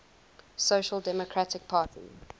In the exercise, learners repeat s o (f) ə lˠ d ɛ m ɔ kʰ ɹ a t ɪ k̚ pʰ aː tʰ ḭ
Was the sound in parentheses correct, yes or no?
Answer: no